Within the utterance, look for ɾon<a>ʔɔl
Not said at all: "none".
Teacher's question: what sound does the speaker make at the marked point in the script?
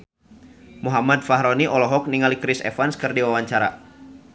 i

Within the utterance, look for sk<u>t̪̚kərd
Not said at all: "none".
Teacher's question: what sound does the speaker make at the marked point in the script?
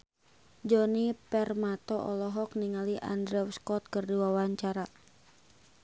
ɔ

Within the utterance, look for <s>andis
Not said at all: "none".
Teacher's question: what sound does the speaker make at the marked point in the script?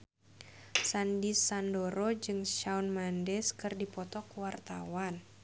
s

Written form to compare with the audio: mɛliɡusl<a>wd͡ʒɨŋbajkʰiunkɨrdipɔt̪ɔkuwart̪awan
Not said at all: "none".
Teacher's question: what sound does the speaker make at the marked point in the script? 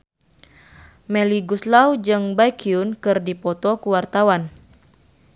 a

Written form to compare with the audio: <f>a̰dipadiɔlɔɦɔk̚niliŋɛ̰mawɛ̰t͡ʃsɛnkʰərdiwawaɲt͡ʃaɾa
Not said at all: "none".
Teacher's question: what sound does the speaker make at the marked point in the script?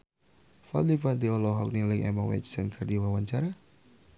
f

